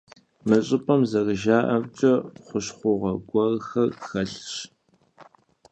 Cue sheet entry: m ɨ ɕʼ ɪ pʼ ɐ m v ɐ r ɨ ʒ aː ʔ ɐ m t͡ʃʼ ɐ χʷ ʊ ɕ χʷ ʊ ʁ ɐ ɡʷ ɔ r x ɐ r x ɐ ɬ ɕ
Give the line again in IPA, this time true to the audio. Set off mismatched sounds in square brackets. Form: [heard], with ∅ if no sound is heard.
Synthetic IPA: m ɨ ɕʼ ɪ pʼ ɐ m [z] ɐ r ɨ ʒ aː ʔ ɐ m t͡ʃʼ ɐ χʷ ʊ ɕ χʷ ʊ ʁ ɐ ɡʷ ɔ r x ɐ r x ɐ ɬ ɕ